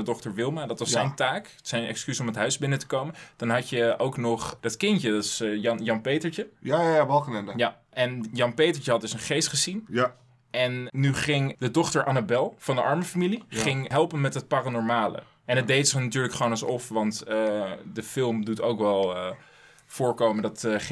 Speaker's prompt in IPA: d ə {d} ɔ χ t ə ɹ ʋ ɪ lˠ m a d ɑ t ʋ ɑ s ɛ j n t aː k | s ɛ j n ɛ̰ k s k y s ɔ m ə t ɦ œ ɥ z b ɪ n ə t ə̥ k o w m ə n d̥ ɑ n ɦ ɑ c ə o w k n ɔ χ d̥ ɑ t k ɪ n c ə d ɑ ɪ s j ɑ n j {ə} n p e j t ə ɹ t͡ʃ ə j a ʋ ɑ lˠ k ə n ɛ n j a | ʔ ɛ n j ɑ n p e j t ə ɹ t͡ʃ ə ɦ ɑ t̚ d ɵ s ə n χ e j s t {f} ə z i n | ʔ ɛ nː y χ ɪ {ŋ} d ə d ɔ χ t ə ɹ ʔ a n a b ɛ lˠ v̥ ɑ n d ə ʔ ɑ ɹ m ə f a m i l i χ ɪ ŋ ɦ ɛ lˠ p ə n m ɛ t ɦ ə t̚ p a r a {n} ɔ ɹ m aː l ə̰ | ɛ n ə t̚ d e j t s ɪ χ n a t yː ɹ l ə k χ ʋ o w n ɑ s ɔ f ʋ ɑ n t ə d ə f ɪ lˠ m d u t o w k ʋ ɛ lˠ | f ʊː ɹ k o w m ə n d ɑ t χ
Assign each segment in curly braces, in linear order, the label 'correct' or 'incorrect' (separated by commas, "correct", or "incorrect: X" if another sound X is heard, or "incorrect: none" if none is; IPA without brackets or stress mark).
correct, incorrect: ɑ, incorrect: χ, correct, correct